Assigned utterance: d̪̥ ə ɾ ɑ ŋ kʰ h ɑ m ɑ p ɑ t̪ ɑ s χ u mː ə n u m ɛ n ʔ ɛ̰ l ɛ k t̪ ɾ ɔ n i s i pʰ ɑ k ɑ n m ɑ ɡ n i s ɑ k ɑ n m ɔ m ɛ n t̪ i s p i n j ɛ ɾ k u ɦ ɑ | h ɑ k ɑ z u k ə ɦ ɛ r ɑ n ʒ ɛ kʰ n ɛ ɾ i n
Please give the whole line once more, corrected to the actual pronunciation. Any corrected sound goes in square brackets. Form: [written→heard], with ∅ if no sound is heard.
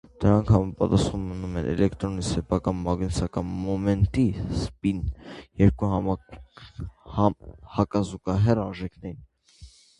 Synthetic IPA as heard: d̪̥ ə ɾ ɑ ŋ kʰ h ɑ m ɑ p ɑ t̪ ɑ s χ u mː ə n u m ɛ n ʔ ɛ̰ l ɛ k t̪ ɾ ɔ n i s [i→ɛ] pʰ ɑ k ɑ n m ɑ ɡ n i s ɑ k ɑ n m ɔ m ɛ n t̪ i s p i n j ɛ ɾ k u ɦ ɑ | h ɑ k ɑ z u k [ə→ɑ] ɦ ɛ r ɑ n ʒ ɛ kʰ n ɛ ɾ i n